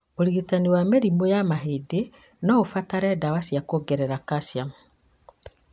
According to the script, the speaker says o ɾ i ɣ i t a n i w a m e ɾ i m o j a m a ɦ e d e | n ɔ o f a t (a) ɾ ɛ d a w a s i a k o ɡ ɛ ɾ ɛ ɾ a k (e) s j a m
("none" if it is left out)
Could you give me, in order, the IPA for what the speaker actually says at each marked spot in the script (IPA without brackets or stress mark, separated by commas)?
a, a